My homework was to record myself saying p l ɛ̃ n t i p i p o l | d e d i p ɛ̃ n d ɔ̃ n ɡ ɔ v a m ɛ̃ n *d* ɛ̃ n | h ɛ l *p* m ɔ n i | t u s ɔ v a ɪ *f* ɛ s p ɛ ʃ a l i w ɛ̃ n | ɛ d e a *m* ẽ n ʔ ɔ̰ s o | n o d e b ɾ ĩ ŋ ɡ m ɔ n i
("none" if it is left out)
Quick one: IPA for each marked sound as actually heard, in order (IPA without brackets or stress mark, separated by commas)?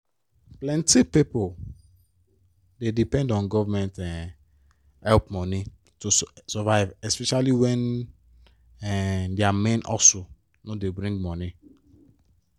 t, p, v, m